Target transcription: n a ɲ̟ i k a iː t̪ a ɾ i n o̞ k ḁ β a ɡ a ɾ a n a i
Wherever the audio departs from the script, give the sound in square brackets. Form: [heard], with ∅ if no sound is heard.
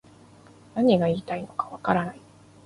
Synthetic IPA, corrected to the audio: n a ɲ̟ i [ɡ] a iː t̪ a [∅] i n o̞ k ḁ β a [k] a ɾ a n a i